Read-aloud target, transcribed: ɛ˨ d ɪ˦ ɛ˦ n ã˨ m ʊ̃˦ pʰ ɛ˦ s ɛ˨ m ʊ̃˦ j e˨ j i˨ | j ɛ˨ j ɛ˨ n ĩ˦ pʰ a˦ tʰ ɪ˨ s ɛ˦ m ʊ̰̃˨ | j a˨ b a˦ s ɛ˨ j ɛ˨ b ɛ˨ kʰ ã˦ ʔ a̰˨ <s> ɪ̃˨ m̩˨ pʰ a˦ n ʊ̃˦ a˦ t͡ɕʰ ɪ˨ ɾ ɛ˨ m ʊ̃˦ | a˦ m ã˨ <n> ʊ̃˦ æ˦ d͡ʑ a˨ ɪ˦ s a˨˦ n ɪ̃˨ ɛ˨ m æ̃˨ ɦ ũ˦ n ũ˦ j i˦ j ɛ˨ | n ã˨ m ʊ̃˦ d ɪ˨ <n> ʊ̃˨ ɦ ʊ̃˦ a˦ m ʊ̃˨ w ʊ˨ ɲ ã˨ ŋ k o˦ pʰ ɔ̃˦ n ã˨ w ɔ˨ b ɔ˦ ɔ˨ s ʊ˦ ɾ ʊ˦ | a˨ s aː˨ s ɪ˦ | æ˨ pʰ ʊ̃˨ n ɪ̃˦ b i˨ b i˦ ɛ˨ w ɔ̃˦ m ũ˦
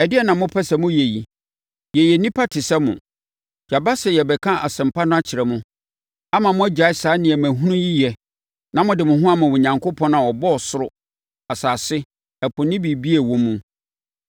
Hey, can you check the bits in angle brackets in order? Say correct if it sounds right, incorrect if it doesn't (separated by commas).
correct, incorrect, incorrect